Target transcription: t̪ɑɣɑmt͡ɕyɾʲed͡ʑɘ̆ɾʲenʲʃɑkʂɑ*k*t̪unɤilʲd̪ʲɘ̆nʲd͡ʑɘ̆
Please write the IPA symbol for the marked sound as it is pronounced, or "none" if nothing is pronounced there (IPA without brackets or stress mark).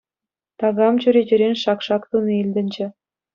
k